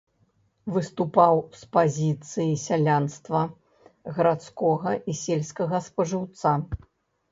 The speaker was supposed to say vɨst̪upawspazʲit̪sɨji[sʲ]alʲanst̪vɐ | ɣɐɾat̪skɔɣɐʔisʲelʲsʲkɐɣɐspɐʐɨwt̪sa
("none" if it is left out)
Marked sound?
sʲ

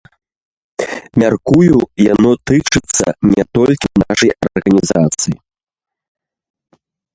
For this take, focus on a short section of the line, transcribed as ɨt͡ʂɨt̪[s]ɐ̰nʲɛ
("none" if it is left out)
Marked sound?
sː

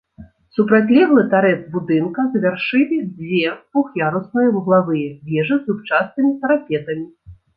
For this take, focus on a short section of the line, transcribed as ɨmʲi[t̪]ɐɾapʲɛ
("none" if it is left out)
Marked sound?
t̪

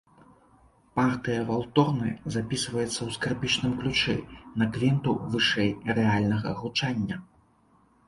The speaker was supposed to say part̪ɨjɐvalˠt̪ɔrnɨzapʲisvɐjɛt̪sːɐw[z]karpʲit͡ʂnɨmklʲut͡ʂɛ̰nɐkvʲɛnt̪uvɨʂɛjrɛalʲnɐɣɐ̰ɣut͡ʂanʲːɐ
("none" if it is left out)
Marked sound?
s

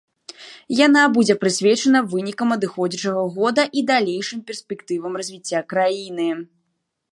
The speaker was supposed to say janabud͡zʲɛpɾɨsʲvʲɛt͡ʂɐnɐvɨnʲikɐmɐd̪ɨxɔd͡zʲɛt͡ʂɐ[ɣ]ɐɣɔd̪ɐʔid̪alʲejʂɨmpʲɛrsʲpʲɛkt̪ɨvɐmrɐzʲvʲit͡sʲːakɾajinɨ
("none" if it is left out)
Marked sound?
ɣ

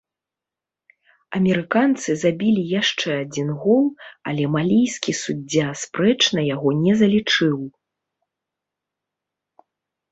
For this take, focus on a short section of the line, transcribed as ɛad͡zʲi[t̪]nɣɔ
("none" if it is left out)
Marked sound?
none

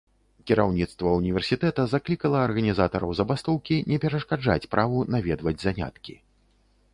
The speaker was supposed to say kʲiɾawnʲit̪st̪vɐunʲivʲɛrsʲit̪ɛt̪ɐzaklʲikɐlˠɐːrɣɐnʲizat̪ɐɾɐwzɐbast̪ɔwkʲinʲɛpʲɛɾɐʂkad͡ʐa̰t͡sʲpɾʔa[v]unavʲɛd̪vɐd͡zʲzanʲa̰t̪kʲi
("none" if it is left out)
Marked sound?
v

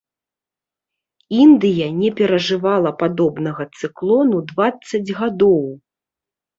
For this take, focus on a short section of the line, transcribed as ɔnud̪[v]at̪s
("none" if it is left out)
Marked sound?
v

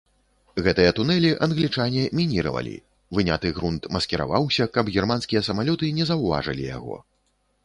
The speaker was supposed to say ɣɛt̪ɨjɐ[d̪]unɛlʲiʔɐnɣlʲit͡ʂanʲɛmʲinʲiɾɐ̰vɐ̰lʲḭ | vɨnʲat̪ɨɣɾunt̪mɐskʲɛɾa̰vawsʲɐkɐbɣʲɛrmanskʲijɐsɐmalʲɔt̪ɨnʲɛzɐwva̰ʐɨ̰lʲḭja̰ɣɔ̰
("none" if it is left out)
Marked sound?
t̪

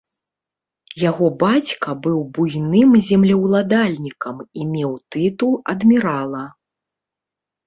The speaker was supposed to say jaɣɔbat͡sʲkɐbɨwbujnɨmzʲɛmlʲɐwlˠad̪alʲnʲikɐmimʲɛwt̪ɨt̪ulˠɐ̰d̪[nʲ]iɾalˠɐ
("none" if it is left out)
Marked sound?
mʲ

